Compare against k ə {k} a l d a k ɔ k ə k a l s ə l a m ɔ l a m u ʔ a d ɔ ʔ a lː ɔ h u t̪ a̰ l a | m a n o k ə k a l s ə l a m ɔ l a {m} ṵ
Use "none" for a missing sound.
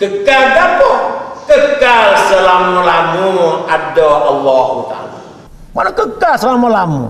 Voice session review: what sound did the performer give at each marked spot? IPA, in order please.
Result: k, m

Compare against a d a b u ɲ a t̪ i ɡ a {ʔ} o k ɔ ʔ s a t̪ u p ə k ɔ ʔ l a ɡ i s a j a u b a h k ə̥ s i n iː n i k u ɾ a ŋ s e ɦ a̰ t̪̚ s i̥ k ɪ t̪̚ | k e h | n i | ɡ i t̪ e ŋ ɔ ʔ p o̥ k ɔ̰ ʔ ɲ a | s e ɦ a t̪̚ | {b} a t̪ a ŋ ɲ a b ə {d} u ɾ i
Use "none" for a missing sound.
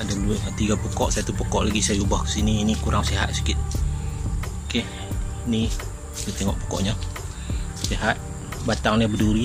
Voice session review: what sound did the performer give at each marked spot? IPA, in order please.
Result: p, b, d

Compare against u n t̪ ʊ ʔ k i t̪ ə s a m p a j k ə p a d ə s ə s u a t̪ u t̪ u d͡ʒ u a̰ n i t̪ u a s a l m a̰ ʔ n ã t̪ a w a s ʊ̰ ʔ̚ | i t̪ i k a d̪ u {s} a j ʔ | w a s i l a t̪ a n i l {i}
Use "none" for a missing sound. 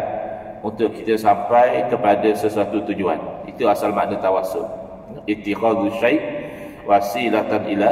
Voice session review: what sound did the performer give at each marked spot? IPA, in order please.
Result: ʃ, a

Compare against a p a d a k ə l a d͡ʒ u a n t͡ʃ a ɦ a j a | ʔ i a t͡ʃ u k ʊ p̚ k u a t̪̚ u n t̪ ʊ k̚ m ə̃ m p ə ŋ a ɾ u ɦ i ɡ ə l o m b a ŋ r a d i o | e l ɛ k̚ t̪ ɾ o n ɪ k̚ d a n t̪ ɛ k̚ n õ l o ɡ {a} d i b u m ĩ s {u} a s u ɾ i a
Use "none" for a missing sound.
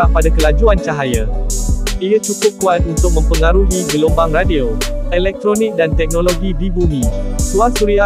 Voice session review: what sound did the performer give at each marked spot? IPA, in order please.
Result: i, u

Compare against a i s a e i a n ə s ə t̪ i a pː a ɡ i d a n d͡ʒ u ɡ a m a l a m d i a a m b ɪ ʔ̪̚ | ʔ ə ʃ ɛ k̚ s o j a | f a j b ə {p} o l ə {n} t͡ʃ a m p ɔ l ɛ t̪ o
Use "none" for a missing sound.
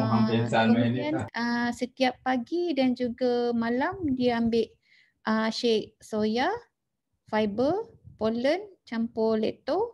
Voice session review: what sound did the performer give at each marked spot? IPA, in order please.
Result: p, n

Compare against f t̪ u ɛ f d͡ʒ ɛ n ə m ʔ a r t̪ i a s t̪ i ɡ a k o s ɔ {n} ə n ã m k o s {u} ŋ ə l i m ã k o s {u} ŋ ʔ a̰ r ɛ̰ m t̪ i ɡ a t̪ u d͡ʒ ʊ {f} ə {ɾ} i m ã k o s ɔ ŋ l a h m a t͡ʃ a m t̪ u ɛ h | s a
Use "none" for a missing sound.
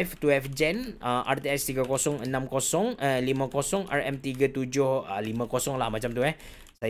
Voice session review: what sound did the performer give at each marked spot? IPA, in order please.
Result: ŋ, ɔ, ɔ, h, l

